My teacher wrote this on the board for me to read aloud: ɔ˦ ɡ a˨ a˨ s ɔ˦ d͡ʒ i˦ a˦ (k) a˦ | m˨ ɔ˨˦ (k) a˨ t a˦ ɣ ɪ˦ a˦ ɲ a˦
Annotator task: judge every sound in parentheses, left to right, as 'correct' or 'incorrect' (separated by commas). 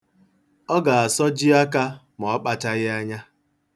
correct, incorrect